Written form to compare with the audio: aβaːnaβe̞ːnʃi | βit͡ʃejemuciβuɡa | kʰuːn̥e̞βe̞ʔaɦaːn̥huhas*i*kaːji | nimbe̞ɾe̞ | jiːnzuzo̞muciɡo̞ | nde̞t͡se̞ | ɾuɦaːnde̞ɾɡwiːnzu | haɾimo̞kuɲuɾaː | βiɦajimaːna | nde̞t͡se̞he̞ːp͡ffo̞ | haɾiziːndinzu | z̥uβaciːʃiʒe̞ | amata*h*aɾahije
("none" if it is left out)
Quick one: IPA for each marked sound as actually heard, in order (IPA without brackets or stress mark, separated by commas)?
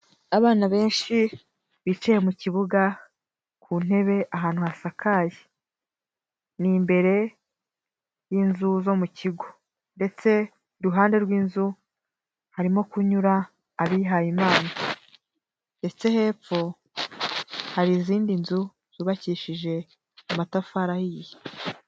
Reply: a, f